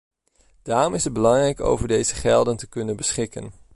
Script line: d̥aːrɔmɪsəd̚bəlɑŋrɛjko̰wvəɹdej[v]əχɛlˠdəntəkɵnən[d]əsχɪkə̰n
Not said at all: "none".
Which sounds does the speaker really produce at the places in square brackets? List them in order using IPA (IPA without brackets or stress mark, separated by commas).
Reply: z, b